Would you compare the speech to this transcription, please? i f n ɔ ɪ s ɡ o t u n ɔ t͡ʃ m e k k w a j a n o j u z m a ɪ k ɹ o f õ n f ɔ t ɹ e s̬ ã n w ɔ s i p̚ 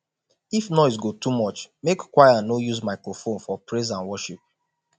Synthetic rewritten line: i f n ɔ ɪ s ɡ o t u m ɔ t͡ʃ m e k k w a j a n o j u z m a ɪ k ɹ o f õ n f ɔ p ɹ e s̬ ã n w ɔ ʃ i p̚